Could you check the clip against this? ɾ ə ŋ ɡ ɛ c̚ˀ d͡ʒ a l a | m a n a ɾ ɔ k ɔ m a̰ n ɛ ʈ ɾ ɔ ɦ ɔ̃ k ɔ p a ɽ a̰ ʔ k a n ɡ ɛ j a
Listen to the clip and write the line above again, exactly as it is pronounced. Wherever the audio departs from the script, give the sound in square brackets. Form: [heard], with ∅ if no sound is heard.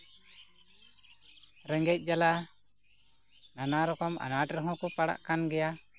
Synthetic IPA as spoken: ɾ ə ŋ ɡ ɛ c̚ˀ d͡ʒ a l a | [n] a n a ɾ ɔ k ɔ m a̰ n [a] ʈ ɾ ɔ ɦ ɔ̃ k ɔ p a ɽ a̰ ʔ k a n ɡ ɛ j a